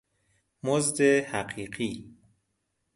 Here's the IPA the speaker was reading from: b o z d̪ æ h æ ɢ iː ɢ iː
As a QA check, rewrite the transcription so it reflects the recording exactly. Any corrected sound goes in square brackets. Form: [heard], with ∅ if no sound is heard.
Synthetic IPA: [m] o z d̪ [e] h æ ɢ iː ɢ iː